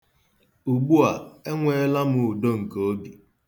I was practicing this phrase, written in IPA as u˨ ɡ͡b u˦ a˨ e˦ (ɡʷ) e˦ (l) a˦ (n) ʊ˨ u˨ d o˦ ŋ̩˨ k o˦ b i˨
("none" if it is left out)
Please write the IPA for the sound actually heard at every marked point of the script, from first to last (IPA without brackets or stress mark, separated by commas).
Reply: ŋʷ, l, m